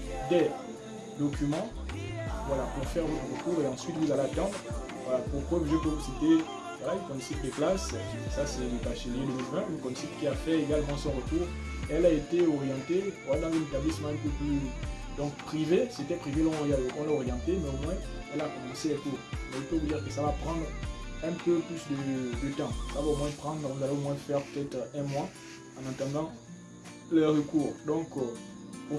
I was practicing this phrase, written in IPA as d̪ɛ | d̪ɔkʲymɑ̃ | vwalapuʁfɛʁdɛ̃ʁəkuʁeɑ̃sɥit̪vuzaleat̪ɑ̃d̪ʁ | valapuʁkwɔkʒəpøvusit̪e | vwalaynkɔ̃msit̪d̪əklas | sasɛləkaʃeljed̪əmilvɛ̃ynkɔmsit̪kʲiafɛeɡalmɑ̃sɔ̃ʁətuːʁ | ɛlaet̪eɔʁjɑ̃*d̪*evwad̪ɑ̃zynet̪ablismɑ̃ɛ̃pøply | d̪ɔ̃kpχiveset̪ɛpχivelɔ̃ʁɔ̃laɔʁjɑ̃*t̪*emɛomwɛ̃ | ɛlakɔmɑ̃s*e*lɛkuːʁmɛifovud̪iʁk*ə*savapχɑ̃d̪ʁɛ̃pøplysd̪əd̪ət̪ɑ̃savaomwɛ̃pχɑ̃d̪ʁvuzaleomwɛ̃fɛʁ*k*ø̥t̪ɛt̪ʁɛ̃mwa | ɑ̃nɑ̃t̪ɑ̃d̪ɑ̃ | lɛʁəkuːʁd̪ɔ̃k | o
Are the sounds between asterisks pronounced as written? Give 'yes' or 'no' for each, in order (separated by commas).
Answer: no, yes, yes, yes, no